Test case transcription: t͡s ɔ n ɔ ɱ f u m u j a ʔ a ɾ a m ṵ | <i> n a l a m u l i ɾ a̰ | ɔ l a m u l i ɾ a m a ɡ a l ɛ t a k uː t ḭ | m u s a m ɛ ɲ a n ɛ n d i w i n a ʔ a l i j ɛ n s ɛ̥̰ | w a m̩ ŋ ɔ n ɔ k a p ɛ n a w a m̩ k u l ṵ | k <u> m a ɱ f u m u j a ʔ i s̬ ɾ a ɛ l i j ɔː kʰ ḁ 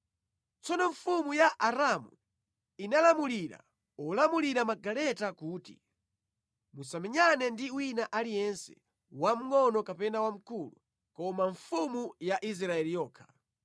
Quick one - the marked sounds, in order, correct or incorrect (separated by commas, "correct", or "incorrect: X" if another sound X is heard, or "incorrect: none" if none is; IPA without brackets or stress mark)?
correct, incorrect: ɔ